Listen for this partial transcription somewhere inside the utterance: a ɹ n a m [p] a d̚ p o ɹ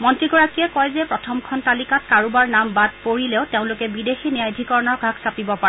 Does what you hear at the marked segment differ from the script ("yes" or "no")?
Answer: yes